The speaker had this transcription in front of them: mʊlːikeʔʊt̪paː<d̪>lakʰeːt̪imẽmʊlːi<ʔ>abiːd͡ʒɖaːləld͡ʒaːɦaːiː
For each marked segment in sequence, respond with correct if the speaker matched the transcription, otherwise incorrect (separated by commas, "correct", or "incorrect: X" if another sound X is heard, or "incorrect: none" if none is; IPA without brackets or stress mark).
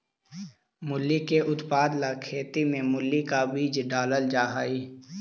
correct, incorrect: k